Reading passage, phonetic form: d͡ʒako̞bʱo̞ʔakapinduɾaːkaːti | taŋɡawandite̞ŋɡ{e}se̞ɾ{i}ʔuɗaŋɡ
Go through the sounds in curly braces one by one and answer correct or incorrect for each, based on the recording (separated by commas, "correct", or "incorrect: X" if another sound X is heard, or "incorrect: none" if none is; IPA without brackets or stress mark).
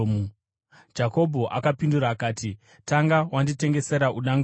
correct, incorrect: a